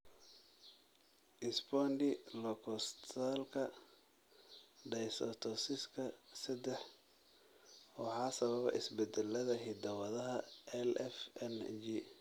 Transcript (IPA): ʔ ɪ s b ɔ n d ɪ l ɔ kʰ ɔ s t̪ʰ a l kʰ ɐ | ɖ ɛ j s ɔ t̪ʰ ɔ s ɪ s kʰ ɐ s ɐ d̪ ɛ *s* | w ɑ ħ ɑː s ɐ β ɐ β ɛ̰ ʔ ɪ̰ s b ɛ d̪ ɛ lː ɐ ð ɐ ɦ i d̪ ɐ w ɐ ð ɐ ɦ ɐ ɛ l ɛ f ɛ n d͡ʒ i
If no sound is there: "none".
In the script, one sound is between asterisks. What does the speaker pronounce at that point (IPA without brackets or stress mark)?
ħ